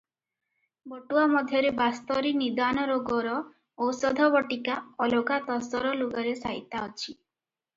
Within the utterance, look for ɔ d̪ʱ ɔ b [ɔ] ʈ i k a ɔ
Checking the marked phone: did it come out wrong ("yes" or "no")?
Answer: no